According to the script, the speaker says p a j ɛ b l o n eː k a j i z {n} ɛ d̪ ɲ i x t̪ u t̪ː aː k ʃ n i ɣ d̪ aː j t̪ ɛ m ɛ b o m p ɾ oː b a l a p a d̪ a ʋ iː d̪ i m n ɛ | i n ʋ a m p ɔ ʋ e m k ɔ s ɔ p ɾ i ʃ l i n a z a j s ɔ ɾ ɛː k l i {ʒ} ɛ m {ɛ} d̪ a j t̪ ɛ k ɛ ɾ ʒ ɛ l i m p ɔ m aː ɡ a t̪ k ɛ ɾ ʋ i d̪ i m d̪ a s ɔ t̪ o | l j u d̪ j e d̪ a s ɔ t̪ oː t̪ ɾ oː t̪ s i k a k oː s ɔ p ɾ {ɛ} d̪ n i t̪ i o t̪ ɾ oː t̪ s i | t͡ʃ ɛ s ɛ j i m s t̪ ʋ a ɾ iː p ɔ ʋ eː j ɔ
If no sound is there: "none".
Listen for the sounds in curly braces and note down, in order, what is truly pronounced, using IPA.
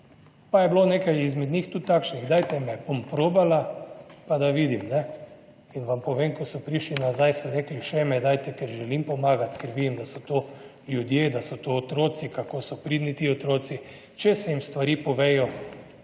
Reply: m, ʃ, ɛ, i

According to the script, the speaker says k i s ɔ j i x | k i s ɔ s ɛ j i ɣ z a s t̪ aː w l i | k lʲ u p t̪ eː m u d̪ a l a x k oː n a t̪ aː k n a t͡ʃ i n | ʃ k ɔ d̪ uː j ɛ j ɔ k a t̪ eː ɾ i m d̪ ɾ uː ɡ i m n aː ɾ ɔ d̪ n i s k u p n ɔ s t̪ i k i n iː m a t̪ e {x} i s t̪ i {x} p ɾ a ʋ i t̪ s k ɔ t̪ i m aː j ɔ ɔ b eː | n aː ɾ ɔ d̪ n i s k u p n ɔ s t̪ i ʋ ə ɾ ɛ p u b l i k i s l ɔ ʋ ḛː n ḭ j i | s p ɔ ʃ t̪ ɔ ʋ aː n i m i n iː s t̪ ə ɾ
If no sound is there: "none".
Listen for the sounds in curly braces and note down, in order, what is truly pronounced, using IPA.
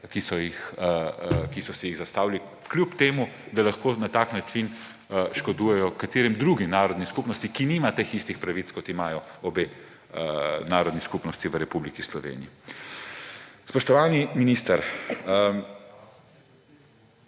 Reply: x, x

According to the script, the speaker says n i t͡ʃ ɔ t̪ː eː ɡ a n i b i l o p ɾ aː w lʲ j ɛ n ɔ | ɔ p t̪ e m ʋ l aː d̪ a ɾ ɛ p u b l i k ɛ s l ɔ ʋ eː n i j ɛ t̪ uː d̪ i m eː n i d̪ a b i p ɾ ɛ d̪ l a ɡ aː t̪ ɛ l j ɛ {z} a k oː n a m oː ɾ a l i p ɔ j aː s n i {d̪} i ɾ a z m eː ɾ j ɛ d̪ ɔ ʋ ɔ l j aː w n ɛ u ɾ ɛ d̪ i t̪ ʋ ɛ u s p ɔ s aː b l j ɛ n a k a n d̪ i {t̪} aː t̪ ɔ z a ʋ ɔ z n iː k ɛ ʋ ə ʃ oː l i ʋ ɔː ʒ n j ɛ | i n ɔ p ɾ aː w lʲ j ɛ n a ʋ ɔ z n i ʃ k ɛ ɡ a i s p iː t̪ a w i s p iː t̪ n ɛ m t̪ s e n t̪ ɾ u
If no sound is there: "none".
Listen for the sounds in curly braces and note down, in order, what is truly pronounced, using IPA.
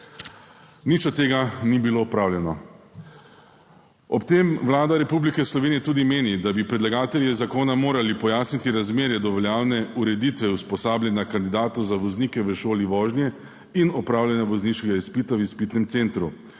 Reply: z, t̪, d̪

